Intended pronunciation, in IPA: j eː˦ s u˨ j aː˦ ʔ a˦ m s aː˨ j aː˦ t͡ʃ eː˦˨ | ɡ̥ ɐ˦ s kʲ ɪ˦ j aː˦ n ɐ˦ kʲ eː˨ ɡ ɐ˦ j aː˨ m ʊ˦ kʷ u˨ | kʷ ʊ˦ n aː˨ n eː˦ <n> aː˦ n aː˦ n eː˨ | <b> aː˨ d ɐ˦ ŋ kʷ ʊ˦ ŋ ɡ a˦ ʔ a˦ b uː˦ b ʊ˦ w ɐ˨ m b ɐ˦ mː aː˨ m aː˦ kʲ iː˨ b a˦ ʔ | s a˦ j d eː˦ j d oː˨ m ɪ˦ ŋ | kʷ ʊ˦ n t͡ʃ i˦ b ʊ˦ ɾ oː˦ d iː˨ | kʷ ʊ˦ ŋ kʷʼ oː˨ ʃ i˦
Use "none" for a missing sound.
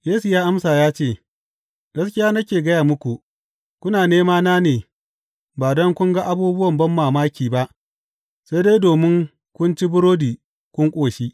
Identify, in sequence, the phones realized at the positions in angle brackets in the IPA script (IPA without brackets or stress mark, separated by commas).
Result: m, b